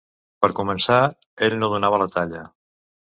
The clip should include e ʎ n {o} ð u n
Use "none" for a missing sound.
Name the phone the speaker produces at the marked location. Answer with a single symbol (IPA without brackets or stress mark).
o